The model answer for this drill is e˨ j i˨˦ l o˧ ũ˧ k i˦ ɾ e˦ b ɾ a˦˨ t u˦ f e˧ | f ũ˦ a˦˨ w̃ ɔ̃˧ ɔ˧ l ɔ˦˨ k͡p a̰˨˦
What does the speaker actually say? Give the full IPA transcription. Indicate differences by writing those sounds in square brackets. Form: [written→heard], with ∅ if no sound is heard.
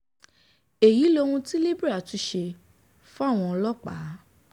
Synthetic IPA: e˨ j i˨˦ l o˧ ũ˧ [k→t] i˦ [ɾ→l] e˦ b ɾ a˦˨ t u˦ [f→ʃ] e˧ | f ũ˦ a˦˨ w̃ ɔ̃˧ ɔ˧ l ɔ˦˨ k͡p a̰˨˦